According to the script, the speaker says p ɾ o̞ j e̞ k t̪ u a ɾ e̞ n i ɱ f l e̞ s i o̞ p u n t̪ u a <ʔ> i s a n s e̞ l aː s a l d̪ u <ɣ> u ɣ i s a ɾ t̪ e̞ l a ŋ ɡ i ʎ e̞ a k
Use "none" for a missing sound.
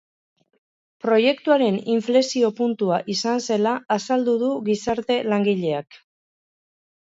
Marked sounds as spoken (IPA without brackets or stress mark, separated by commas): ʔ, ð